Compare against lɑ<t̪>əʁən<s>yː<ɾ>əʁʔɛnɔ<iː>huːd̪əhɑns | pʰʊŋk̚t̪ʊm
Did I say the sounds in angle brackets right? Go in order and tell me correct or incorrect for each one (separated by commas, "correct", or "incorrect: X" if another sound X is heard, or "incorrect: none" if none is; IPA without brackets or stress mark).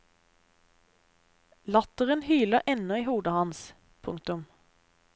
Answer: correct, incorrect: h, incorrect: l, correct